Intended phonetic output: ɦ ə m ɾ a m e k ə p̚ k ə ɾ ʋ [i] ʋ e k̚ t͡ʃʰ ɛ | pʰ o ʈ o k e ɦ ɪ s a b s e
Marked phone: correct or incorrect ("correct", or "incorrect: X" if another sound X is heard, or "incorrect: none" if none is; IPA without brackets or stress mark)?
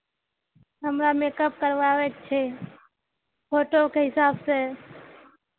incorrect: a